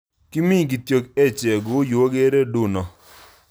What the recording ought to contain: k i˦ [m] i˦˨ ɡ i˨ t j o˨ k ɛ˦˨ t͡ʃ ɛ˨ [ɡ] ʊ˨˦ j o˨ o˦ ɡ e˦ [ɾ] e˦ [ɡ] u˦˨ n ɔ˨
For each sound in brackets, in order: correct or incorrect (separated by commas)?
correct, correct, correct, incorrect